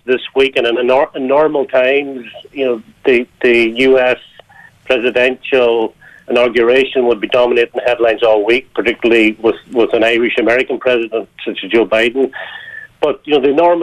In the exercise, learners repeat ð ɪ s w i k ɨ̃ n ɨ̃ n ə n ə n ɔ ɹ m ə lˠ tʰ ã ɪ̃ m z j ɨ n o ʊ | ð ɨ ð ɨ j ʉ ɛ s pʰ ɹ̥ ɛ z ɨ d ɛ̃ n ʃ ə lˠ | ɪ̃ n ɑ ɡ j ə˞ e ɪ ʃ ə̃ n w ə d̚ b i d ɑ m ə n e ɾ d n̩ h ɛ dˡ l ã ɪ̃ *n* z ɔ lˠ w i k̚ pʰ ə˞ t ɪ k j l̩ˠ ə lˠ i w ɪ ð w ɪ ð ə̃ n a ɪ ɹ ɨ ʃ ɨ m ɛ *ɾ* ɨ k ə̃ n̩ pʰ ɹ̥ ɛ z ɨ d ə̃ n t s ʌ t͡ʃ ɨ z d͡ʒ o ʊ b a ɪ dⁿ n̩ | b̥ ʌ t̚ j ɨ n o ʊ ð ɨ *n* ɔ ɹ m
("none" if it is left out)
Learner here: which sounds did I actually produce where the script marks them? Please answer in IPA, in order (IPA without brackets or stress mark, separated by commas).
n, ɹ, n